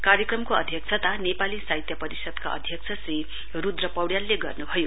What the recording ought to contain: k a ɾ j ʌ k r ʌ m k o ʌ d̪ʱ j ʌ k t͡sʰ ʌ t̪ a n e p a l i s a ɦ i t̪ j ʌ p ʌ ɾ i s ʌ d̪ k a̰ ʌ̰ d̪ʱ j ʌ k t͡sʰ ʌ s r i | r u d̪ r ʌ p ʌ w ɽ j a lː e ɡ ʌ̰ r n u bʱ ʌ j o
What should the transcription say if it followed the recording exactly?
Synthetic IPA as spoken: k a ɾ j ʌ k r ʌ m k o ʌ d̪ʱ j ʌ k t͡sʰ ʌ t̪ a n e p a l i s a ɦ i t̪ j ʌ p ʌ ɾ i s ʌ d̪ k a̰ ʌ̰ d̪ʱ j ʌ k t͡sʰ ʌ s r i | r u d̪ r ʌ p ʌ w ɽ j a lː e ɡ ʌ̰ r n u bʱ ʌ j o

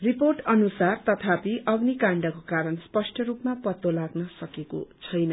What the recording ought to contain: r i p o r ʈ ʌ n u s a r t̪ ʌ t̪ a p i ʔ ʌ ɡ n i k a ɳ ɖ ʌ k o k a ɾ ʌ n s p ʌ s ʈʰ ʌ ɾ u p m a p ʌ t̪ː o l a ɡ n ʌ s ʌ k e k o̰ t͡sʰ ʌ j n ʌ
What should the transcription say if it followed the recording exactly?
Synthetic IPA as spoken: r i p o r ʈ ʌ n u s a r t̪ ʌ t̪ʰ a p i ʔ ʌ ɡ n i k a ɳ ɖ ʌ k o k a ɾ ʌ n s p ʌ s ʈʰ ʌ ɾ u p m a p ʌ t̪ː o l a ɡ n ʌ s ʌ k e k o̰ t͡sʰ ʌ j n ʌ

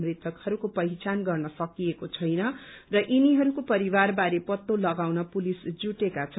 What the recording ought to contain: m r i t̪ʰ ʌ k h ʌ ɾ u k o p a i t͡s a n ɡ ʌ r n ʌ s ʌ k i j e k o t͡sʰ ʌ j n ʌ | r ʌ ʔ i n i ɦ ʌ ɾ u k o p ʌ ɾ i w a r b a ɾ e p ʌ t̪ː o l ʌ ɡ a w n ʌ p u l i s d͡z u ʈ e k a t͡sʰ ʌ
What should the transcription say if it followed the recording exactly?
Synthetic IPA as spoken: m r i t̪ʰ ʌ k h ʌ ɾ u k o p ʌ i t͡s a n ɡ ʌ r n ʌ s ʌ k i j e k o t͡sʰ ʌ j n ʌ | r ʌ ʔ i n i ɦ ʌ ɾ u k o p ʌ ɾ i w a r b a ɾ e p ʌ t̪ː o l ʌ ɡ a w n ʌ p u l i s d͡z u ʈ e k a t͡sʰ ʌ

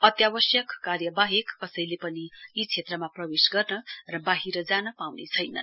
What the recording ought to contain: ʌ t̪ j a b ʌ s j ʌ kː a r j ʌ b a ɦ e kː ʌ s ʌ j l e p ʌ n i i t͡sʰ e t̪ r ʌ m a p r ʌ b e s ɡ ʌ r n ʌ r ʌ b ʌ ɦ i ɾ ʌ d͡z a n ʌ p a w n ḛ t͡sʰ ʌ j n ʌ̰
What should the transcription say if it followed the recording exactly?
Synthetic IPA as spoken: ʌ t̪ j a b ʌ s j ʌ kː a r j ʌ b a ɦ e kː ʌ s ʌ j l e p ʌ n i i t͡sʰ e t̪ r ʌ m a p r ʌ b e s ɡ ʌ r n ʌ r ʌ b a ɦ i ɾ ʌ d͡z a n ʌ p a w n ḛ t͡sʰ ʌ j n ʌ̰

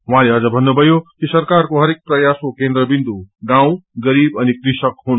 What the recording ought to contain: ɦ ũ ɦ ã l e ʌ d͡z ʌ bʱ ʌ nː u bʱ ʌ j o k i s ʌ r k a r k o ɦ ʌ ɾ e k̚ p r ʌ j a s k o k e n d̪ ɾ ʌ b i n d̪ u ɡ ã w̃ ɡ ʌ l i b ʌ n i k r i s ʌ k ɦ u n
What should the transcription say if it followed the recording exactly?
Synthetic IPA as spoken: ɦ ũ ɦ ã l e ʌ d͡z ʌ bʱ ʌ nː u bʱ ʌ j o k i s ʌ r k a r k o ɦ ʌ ɾ e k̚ p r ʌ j a s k o k e n d̪ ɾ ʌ b i n d̪ u ɡ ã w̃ ɡ ʌ ɾ i b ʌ n i k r i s ʌ k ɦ u n

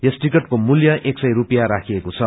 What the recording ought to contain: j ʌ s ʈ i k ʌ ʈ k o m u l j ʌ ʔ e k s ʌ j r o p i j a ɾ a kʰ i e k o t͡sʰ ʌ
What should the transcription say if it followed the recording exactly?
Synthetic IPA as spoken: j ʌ s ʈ i k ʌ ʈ k o m u l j ʌ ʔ e k s ʌ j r u p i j a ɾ a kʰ i e k o t͡sʰ ʌ

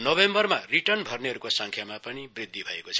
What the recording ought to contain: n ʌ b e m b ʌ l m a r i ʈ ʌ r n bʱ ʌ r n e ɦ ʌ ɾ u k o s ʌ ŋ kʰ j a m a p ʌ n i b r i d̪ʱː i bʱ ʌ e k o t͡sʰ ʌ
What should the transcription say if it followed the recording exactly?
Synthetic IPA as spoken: n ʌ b e m b ʌ r m a r i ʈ ʌ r n bʱ ʌ r n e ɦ ʌ ɾ u k o s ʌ ŋ kʰ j a m a p ʌ n i b r i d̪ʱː i bʱ ʌ e k o t͡sʰ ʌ

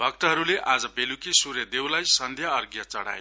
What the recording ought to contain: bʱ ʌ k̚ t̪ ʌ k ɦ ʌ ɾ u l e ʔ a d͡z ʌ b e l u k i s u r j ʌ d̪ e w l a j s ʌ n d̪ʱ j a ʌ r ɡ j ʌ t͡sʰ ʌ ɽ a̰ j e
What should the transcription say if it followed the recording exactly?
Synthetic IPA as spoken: bʱ ʌ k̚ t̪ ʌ ɦ ʌ ɾ u l e ʔ a d͡z ʌ b e l u k i s u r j ʌ d̪ e w l a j s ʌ n d̪ʱ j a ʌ r ɡ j ʌ t͡s ʌ ɽ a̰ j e

